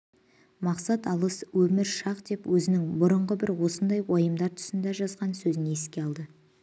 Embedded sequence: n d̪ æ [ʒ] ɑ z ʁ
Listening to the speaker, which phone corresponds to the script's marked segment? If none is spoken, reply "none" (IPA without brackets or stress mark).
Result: ʒ